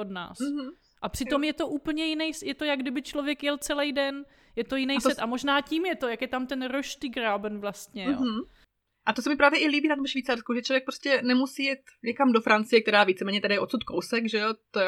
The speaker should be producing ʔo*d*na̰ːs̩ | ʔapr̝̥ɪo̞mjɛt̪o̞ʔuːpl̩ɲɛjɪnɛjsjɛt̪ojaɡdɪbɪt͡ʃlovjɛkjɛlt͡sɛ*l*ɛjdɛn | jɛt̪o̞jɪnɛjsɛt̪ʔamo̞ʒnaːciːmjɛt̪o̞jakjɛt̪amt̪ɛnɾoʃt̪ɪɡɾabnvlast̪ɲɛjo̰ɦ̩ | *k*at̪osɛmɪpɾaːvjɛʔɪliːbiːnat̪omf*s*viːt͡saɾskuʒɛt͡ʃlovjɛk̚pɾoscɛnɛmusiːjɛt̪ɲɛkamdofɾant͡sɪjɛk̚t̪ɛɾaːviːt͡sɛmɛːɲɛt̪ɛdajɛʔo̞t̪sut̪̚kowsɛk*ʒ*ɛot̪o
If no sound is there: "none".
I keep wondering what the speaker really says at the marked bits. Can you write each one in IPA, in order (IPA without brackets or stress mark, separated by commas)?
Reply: d, l, ʔ, ʃ, ʒ